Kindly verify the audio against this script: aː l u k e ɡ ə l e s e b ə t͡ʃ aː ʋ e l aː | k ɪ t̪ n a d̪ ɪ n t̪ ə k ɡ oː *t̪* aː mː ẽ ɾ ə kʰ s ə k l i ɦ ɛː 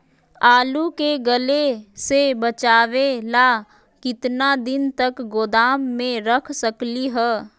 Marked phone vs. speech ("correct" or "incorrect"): incorrect